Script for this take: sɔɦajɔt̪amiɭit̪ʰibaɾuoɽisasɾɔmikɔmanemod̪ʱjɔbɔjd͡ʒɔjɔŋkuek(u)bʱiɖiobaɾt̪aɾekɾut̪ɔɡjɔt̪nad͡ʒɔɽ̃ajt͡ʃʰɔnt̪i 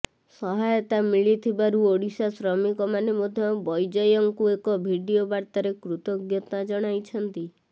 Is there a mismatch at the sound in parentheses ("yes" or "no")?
yes